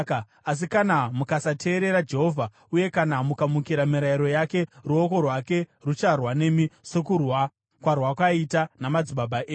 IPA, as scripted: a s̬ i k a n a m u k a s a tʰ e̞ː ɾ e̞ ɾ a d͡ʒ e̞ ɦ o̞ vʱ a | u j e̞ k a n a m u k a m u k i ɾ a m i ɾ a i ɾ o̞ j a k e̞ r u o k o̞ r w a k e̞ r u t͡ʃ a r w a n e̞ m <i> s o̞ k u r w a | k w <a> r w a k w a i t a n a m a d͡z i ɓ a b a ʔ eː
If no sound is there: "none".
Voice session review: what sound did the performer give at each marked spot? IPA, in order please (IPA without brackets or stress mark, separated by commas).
i, a